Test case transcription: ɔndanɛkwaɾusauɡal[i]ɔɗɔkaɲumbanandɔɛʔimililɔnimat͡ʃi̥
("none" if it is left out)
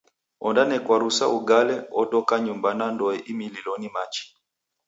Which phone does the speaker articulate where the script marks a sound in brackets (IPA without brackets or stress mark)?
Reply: ɛ